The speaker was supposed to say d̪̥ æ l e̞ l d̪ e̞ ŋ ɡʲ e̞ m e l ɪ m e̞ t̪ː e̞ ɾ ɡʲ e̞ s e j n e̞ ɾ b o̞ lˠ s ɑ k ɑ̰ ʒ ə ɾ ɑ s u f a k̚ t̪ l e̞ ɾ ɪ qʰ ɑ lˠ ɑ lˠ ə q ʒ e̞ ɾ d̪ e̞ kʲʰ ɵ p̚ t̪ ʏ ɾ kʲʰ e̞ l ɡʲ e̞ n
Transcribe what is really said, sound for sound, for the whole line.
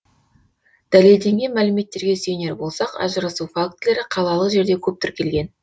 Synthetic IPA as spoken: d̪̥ æ l e̞ l d̪ e̞ ŋ ɡʲ e̞ m æ l ɪ m e̞ t̪ː e̞ ɾ ɡʲ e̞ s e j n e̞ ɾ b o̞ lˠ s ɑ q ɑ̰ ʒ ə ɾ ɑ s u f a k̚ t̪ l e̞ ɾ ɪ qʰ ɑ lˠ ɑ lˠ ə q ʒ e̞ ɾ d̪ e̞ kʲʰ ɵ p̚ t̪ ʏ ɾ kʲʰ e̞ l ɡʲ e̞ n